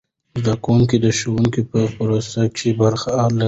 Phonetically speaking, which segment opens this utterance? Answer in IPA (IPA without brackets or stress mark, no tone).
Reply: z